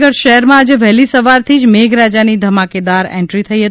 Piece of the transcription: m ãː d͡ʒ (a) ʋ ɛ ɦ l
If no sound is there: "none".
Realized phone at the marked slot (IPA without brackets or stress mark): e